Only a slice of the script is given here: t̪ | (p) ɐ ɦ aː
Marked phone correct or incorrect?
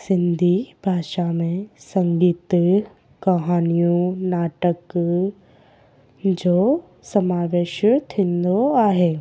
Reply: incorrect